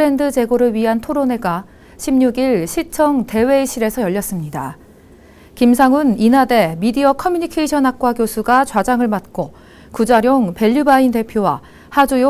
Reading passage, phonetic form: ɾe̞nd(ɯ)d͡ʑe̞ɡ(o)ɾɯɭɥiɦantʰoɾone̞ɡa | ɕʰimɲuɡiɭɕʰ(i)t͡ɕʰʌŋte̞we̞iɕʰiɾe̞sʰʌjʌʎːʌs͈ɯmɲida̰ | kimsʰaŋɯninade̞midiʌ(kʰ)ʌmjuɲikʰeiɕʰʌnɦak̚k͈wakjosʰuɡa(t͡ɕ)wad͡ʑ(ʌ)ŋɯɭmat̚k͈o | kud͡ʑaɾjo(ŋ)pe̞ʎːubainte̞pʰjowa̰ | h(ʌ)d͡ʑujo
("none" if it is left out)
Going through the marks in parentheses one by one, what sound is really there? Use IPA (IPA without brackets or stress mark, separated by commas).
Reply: ɯ, o, i, kʰ, t͡ɕ, a, ŋ, a